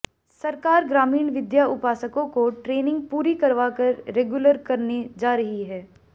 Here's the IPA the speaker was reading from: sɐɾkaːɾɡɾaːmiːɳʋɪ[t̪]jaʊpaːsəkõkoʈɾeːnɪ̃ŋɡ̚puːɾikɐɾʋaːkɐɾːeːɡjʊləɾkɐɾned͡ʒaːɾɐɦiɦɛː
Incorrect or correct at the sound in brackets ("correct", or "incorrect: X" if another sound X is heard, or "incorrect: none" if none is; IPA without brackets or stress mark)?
incorrect: d̪